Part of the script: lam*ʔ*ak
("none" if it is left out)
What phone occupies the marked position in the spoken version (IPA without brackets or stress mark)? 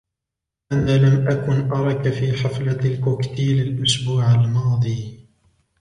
ʔ